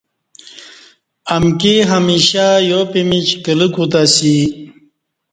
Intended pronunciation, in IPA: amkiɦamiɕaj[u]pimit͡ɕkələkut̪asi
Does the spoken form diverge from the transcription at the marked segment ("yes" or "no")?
yes